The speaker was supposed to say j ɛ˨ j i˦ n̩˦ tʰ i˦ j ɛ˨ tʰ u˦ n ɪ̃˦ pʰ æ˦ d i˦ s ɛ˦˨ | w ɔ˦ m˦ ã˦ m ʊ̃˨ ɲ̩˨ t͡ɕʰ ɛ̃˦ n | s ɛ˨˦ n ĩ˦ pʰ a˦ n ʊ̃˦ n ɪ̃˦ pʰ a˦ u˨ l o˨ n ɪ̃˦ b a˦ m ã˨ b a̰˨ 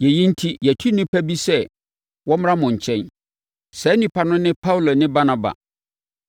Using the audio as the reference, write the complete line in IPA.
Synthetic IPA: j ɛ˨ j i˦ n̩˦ tʰ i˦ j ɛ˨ tʰ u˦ n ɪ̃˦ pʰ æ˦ b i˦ s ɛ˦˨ | w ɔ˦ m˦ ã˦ m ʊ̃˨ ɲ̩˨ t͡ɕʰ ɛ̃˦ n | s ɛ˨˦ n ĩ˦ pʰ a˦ n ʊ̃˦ n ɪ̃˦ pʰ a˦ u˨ l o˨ n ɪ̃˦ b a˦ n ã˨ b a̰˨